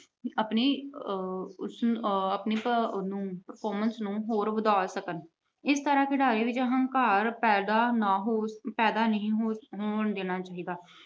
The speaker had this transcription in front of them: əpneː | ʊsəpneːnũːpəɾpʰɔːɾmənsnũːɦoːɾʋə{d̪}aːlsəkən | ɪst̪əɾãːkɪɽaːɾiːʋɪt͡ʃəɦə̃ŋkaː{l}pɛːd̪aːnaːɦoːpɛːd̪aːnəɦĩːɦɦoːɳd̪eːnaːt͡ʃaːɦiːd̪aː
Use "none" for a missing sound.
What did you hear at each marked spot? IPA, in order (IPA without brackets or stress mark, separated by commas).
d̪, ɾ